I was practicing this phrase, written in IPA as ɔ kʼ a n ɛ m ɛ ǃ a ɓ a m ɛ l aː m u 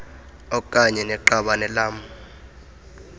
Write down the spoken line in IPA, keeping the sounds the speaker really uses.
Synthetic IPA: ɔ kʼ a ɲ ɛ n ɛ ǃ a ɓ a n ɛ l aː m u